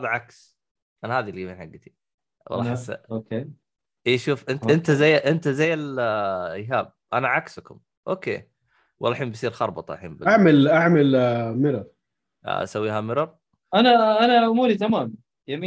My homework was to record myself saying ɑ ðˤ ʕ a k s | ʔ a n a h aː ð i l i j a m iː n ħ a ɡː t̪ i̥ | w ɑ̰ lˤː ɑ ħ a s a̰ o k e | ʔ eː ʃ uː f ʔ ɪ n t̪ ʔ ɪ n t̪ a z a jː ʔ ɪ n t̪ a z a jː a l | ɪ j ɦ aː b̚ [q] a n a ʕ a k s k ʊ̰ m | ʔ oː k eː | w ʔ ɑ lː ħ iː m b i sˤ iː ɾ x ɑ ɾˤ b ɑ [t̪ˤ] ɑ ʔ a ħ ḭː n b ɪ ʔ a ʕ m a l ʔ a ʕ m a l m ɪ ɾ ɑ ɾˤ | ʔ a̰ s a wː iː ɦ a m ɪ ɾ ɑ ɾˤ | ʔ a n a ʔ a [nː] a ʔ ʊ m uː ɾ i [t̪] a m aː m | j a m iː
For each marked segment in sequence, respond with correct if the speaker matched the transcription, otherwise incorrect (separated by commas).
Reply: incorrect, correct, incorrect, correct